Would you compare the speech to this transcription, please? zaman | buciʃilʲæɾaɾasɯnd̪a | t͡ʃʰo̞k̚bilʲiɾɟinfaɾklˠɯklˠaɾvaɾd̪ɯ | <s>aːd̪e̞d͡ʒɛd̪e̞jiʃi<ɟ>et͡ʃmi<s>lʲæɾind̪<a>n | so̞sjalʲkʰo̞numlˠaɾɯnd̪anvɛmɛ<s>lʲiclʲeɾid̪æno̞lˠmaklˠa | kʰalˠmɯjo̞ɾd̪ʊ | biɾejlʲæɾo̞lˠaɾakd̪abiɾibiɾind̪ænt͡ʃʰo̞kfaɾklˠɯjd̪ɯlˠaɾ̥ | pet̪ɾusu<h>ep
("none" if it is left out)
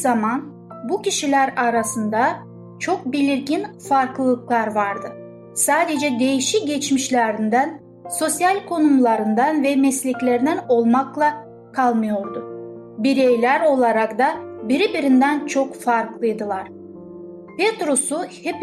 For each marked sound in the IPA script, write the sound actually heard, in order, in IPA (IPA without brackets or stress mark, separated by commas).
s, ɟ, ʃ, æ, s, h